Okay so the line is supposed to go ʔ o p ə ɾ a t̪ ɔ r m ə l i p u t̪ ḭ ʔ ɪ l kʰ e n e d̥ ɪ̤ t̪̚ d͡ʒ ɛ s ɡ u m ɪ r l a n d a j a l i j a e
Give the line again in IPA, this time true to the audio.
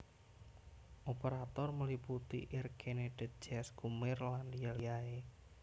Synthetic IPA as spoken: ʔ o p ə ɾ a t̪ ɔ r m ə l i p u t̪ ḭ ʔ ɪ r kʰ e n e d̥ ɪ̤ t̪̚ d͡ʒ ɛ s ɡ u m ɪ r l a n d i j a l i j a e

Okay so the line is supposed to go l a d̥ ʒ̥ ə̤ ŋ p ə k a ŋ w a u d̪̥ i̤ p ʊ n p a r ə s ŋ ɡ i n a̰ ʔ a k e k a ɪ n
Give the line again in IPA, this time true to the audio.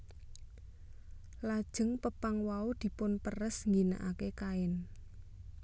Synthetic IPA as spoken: l a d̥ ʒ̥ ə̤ ŋ p ə p a ŋ w a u d̪̥ i̤ p ʊ n p ə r ə s ŋ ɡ i n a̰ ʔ a k e k a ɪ n

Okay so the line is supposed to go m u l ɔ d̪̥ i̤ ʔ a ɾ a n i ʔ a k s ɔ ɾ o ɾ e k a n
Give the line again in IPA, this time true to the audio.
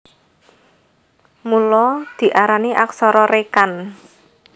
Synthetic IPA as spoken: m u l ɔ d̪̥ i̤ ʔ a ɾ a n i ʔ a k s ɔ ɾ ɔ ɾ e k a n

